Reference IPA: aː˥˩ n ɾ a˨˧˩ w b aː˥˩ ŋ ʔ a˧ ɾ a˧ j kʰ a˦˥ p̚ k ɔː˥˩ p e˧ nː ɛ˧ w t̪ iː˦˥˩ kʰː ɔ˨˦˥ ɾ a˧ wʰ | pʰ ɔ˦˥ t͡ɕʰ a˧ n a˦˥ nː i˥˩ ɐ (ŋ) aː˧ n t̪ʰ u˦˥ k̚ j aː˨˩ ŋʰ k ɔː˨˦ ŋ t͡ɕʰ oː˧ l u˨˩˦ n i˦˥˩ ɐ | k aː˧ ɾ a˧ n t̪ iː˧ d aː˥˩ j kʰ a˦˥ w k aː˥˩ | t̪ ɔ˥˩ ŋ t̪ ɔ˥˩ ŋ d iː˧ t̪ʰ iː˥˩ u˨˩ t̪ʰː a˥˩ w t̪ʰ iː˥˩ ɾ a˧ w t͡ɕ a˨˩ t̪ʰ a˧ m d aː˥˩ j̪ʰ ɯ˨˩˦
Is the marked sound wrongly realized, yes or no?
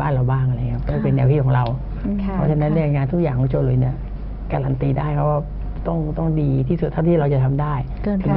no